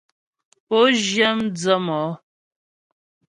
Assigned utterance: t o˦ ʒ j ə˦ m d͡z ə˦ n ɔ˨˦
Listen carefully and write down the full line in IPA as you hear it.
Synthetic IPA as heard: p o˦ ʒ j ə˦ m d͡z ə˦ m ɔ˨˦